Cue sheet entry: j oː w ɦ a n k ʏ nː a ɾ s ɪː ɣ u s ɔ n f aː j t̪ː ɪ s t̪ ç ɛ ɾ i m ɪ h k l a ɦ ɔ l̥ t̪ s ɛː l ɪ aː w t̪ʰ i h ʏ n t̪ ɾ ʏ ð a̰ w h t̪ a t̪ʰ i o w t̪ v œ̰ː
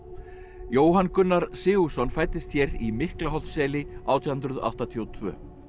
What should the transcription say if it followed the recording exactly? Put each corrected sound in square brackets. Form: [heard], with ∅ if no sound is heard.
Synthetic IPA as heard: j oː w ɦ a n k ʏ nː a ɾ s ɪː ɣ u s ɔ n f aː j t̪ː ɪ s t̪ ç ɛ ɾ i m ɪ h k l a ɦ ɔ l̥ t̪ s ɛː l ɪ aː w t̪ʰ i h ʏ n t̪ ɾ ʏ ð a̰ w h t̪ a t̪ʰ i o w [t̪ʰ] v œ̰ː